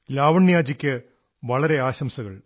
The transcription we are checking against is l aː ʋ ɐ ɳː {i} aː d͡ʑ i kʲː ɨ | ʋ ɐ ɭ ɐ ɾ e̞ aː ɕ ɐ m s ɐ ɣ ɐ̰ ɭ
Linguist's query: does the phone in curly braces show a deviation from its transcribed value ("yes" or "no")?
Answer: yes